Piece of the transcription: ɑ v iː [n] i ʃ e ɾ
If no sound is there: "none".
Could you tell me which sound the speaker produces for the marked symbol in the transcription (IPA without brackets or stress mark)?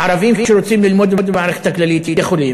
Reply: m